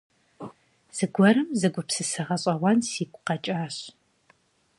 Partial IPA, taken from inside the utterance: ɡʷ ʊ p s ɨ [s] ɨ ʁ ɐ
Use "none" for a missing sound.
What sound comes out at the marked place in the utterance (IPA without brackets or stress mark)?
s